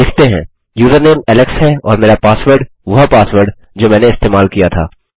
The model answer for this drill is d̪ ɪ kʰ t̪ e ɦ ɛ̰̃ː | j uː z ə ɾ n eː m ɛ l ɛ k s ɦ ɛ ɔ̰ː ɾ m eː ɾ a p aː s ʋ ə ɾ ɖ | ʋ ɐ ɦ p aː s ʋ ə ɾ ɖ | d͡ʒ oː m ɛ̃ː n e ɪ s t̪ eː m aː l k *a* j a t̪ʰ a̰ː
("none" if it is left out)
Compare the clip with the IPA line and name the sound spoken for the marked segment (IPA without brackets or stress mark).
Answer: i